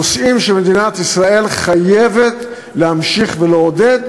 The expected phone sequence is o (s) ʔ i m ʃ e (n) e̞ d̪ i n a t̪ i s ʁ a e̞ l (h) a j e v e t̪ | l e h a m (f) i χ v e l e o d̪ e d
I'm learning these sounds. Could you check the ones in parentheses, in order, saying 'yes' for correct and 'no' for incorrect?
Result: yes, no, no, no

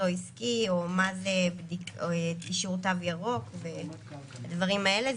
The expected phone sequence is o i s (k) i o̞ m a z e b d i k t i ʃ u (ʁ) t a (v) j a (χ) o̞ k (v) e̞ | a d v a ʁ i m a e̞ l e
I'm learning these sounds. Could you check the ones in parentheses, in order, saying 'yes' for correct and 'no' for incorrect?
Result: yes, yes, yes, no, yes

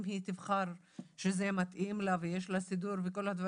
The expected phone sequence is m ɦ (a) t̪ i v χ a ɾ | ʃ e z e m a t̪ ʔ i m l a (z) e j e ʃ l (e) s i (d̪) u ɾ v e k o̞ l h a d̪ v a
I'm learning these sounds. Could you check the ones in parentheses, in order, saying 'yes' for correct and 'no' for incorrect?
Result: no, no, no, yes

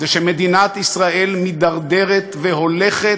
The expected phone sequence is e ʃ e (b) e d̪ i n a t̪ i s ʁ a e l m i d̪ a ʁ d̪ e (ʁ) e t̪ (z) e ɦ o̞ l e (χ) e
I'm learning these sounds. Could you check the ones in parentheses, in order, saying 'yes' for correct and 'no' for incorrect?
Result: no, yes, no, yes

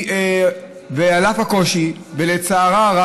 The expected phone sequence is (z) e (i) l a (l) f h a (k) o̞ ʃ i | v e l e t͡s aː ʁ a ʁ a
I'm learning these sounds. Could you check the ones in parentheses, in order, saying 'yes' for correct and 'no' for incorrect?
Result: no, no, no, yes

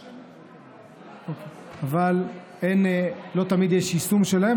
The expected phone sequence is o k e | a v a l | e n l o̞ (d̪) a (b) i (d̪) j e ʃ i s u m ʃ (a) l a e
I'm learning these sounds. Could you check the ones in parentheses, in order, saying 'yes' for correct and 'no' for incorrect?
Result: no, no, yes, no

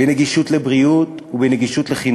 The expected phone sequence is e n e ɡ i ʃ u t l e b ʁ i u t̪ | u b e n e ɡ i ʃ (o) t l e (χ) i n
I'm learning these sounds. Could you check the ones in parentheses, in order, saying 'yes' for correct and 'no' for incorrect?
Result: no, yes

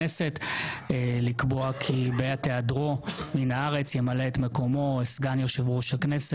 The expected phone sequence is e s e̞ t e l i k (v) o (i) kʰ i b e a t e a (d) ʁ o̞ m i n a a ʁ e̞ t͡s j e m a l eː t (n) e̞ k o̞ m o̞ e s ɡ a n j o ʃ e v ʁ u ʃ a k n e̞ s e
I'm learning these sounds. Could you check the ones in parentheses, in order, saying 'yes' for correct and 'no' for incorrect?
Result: no, no, yes, no

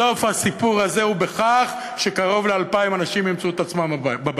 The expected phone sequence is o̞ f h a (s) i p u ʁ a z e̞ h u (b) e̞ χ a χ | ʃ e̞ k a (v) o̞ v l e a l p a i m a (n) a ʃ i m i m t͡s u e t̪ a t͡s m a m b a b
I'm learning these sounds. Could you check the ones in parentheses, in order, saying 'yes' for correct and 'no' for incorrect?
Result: yes, yes, no, yes

